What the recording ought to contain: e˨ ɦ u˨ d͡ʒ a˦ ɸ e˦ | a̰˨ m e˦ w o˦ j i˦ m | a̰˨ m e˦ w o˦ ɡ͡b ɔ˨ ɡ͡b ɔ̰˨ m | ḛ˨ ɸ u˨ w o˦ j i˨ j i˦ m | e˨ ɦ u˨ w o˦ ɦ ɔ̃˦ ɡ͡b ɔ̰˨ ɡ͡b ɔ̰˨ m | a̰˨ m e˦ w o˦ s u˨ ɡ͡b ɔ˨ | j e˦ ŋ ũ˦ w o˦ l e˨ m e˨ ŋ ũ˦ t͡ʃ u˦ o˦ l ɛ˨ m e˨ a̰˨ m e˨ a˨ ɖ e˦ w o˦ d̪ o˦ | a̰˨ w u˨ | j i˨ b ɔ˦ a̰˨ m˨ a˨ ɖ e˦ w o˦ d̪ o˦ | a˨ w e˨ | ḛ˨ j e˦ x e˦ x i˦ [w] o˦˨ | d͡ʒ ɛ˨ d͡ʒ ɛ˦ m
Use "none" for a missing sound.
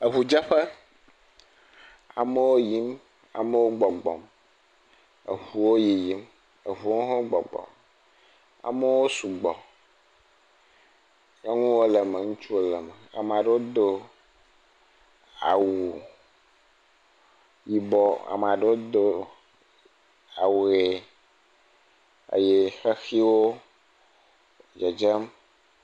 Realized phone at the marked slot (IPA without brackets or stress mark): w